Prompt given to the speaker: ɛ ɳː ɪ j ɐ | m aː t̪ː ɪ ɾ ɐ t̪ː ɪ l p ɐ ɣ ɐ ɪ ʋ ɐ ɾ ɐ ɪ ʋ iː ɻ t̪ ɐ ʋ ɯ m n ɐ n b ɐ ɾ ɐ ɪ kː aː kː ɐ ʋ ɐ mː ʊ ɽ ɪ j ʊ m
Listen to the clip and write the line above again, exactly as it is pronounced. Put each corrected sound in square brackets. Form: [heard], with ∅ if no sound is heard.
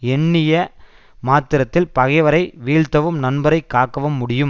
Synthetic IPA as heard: ɛ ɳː ɪ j ɐ | m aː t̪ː ɪ ɾ ɐ t̪ː ɪ l p ɐ ɣ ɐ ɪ ʋ ɐ ɾ ɐ ɪ ʋ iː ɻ t̪ ɐ ʋ ɯ m n ɐ n b ɐ ɾ ɐ ɪ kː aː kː ɐ ʋ ɐ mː ʊ ɽ ɪ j [ɯ] m